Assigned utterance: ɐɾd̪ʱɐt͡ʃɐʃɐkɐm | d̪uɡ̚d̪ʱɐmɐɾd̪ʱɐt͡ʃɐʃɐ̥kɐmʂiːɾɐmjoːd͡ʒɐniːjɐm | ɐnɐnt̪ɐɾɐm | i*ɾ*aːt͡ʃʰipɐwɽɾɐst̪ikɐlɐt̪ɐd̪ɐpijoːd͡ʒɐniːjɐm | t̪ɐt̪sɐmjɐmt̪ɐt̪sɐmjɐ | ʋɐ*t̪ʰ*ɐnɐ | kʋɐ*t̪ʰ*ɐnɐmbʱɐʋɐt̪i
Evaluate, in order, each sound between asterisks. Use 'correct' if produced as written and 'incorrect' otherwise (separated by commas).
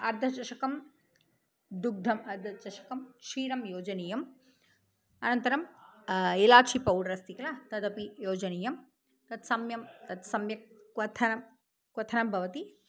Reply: incorrect, correct, correct